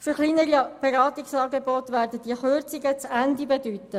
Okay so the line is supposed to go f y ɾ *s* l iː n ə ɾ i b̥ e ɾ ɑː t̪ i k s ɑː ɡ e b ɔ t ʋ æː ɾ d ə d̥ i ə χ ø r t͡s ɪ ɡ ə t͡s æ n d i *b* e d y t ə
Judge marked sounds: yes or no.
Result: no, yes

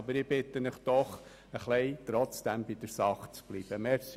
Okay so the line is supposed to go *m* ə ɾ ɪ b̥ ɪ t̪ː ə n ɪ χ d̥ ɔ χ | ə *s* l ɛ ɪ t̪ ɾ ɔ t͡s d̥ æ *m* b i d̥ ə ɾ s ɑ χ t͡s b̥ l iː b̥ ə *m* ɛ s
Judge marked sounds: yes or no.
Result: no, no, yes, yes

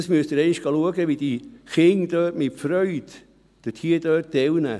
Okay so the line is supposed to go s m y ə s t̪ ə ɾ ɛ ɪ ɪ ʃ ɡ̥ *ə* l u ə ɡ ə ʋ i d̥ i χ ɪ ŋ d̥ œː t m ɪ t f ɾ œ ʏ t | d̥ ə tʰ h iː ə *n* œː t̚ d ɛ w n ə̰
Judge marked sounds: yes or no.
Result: no, no

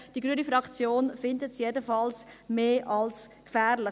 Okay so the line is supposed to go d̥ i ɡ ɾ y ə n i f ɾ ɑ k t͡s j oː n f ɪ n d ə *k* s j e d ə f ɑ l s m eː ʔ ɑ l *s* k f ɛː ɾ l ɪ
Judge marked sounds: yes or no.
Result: no, yes

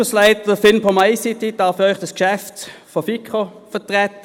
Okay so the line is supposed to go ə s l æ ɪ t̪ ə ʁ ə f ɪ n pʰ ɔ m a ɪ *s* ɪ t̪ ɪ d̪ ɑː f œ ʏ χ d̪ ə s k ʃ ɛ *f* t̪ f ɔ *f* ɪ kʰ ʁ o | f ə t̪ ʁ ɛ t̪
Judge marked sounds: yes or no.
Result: yes, yes, yes

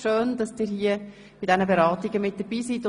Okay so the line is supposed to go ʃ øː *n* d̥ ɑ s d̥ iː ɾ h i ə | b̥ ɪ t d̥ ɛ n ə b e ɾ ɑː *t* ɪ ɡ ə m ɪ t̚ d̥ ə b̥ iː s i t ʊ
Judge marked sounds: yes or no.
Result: yes, yes

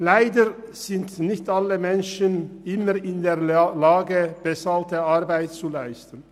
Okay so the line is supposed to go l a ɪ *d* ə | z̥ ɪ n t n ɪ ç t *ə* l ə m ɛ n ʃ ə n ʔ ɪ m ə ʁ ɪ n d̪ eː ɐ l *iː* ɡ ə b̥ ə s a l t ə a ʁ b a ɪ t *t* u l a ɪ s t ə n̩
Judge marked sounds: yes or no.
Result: yes, no, no, no

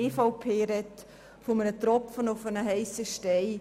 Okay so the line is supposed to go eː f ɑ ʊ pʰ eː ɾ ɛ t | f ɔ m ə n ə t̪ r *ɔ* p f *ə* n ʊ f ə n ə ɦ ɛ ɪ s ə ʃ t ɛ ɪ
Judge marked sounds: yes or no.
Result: yes, yes

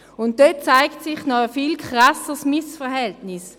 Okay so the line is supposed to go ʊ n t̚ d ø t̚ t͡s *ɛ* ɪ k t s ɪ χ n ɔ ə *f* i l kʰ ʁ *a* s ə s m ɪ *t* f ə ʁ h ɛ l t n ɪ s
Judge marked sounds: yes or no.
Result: no, yes, yes, no

